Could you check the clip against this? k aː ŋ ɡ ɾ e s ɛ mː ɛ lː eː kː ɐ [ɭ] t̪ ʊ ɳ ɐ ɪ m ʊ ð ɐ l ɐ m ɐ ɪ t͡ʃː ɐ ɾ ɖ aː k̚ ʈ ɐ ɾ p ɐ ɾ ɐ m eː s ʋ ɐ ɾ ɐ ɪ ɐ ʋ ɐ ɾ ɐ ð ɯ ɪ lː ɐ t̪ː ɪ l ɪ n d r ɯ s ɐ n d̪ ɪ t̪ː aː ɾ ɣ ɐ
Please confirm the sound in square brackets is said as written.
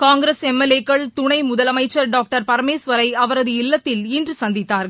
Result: yes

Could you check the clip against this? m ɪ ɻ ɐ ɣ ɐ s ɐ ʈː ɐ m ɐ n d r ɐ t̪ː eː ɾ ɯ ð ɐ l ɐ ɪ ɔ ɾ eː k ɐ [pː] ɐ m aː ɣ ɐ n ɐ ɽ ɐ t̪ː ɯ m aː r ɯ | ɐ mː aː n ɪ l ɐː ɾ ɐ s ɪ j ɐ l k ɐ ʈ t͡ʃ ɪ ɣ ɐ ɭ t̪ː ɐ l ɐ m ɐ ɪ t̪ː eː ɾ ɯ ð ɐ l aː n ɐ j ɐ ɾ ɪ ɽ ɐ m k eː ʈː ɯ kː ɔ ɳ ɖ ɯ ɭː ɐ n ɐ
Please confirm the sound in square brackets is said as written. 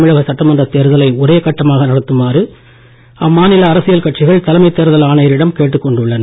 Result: no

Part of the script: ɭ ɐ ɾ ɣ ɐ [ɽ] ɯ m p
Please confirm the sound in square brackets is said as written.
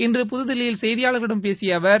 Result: yes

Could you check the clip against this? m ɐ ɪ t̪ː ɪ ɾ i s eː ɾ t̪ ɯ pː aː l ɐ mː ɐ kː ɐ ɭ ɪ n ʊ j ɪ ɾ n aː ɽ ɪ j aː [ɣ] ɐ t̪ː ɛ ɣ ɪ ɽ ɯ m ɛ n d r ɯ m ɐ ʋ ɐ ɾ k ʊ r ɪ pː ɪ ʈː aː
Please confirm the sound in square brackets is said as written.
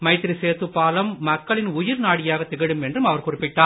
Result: yes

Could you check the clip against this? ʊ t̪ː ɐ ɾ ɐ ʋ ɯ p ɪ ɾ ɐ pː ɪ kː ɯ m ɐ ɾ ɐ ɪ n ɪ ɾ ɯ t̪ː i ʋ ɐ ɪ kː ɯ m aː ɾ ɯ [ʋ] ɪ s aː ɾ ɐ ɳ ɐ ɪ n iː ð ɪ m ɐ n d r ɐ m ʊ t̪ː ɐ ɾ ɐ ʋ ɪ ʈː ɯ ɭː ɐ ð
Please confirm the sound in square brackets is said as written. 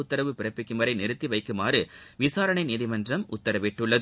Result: yes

